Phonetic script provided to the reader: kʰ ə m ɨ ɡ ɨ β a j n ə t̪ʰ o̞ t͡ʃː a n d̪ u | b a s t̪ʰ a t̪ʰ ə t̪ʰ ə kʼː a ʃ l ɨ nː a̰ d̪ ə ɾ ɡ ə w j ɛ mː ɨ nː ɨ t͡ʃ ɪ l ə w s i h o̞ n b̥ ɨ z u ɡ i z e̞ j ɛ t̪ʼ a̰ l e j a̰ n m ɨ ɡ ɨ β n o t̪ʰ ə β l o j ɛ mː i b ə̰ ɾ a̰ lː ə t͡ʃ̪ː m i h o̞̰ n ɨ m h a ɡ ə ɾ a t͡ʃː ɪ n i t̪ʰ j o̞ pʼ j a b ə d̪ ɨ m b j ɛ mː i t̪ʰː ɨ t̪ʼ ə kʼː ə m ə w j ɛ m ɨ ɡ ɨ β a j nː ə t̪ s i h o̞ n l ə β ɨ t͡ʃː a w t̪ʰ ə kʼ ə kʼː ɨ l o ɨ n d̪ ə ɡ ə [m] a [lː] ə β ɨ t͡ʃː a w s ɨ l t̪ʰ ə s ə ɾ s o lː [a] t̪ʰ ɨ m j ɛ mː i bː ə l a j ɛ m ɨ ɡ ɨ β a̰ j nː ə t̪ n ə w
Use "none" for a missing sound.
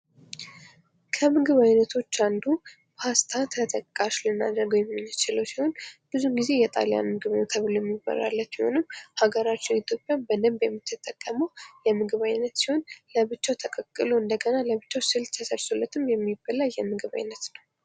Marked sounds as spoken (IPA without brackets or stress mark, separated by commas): n, l, ə